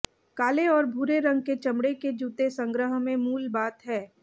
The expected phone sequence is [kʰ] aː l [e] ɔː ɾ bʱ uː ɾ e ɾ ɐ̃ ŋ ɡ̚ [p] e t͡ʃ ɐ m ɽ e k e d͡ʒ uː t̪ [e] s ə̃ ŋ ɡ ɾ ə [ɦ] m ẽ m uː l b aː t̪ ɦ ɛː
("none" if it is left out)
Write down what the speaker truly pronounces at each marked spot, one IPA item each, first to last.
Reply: k, e, k, e, ɦ

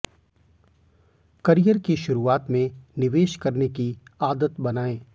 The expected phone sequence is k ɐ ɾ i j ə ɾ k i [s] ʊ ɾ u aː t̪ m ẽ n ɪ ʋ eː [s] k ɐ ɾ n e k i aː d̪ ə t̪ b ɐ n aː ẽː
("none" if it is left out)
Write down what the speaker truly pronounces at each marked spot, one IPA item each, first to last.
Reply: ʃ, ʃ

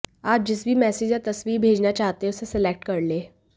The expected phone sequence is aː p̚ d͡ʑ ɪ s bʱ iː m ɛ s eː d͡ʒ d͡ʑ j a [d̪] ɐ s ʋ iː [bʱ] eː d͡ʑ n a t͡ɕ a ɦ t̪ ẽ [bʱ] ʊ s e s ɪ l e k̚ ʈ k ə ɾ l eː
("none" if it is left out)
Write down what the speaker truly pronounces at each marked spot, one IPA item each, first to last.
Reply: t̪, bʱ, none

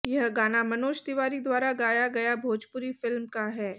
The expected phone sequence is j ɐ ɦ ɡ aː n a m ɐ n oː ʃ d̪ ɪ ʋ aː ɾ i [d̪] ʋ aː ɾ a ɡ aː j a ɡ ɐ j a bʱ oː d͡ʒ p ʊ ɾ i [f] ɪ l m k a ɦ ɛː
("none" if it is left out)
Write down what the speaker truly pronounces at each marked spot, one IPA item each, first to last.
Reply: d̪, f

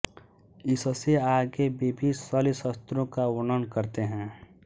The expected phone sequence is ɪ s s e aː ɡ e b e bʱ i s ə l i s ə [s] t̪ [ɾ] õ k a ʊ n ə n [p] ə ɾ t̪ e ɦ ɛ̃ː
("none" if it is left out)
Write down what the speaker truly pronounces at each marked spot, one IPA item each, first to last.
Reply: s, ɾ, k

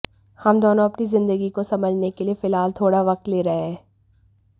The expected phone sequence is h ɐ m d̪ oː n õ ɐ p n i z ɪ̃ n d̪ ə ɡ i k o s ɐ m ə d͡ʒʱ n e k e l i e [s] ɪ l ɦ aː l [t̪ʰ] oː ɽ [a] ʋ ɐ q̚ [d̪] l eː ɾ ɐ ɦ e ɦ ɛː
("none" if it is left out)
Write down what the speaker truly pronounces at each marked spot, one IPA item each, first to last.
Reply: f, t̪ʰ, a, t̪

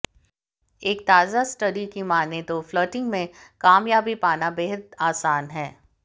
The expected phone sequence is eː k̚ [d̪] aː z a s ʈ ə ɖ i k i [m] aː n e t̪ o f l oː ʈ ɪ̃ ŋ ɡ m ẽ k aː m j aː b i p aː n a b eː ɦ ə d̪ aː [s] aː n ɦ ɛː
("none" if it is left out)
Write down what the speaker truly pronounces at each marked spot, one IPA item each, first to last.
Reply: t̪, m, s

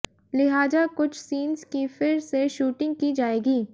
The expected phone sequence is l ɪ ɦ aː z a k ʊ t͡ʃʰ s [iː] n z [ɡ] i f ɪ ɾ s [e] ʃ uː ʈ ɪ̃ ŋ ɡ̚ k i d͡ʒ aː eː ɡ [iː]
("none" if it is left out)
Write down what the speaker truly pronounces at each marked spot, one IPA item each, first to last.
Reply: iː, k, e, iː

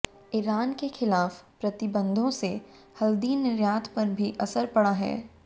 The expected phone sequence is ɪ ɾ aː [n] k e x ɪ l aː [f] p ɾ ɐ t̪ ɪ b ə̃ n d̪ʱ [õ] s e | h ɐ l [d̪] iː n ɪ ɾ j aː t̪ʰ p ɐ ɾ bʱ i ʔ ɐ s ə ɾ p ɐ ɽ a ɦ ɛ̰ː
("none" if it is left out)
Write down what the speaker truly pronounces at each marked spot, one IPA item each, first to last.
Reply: n, f, õ, d̪

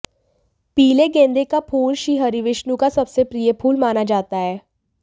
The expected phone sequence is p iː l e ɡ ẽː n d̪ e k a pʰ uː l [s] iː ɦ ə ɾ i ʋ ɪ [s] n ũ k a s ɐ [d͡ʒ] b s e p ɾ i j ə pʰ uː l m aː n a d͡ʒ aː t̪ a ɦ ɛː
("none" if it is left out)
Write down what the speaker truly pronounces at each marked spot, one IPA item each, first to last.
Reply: ʃ, ʃ, none

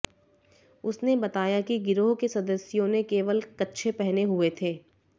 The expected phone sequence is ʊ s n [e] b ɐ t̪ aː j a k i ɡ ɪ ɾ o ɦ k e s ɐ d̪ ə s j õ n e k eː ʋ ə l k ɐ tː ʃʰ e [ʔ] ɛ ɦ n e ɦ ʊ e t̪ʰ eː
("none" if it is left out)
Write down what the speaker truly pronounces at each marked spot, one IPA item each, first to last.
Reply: e, p

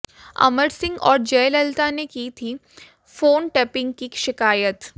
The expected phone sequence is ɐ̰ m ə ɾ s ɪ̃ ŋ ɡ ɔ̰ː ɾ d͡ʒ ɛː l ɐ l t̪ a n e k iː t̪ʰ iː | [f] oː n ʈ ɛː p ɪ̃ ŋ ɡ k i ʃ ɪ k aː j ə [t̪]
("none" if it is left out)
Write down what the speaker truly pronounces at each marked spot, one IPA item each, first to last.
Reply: f, t̪

